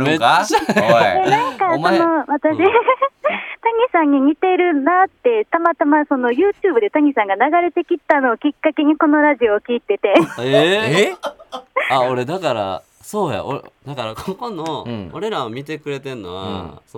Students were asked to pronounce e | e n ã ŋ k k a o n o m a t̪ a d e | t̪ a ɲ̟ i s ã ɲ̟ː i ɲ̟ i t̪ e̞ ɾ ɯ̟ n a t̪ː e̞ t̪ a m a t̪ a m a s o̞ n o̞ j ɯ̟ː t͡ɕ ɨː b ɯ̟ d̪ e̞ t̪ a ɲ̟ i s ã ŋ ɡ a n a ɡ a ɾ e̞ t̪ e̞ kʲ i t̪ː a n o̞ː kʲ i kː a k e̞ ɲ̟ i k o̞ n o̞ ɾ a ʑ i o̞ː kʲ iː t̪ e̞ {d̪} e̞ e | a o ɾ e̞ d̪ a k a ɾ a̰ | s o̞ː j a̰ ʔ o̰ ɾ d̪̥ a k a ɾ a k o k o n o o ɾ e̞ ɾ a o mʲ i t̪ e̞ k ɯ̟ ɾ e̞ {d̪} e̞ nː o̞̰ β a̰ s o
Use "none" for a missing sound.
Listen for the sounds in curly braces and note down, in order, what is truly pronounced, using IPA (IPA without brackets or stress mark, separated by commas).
t̪, t̪